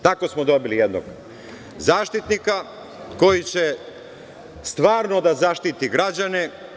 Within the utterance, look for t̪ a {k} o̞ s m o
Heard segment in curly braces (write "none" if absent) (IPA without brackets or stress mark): k